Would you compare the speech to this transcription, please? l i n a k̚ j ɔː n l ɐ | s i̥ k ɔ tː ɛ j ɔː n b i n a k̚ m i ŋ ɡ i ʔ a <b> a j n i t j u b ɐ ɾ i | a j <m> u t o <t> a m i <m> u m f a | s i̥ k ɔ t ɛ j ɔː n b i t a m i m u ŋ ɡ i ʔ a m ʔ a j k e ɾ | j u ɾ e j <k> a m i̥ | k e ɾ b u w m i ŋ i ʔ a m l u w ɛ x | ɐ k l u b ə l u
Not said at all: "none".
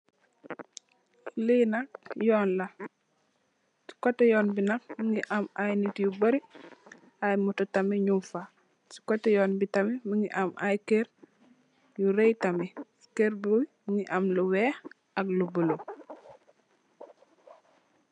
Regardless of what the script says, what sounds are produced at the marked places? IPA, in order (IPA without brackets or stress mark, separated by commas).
m, m, t, ɲ, t